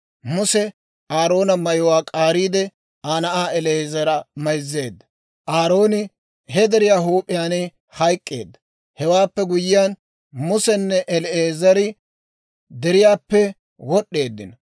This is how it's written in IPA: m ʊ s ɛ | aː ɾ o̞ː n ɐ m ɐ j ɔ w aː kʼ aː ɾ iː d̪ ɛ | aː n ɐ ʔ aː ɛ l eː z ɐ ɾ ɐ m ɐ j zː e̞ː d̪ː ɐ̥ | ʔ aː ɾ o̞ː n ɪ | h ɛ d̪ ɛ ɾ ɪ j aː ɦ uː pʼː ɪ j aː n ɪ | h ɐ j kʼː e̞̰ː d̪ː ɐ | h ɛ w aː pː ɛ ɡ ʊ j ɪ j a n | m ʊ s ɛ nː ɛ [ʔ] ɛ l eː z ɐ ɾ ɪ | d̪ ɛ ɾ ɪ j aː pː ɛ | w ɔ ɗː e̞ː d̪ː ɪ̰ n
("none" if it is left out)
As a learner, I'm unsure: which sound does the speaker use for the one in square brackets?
ʔ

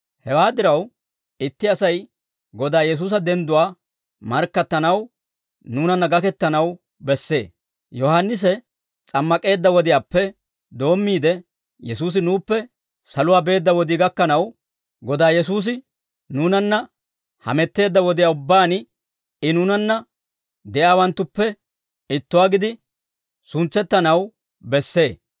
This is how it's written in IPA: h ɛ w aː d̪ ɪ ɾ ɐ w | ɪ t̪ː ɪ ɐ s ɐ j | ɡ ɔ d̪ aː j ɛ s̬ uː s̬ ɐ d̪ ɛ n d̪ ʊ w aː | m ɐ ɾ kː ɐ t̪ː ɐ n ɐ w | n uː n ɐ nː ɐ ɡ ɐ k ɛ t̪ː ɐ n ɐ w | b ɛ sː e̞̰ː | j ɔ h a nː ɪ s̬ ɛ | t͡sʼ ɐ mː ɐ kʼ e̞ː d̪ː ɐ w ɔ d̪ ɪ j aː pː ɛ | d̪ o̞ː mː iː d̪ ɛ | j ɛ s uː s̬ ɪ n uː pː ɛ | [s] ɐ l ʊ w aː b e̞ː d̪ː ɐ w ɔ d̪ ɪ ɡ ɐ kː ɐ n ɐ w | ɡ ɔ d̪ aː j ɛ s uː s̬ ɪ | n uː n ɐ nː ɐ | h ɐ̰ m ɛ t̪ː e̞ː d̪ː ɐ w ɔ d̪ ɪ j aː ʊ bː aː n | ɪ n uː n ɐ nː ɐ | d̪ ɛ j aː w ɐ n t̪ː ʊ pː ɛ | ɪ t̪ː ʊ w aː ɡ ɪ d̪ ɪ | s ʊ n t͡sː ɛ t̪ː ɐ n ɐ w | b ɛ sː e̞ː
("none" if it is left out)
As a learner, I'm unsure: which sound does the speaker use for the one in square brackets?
s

